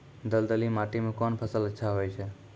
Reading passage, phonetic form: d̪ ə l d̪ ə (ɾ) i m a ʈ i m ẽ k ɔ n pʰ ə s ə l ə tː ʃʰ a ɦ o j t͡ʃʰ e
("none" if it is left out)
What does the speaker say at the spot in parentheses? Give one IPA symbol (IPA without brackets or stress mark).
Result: l